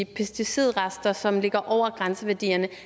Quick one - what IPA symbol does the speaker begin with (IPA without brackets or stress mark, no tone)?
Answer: pʰ